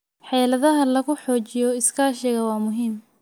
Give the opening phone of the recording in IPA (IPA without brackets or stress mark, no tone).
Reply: ħ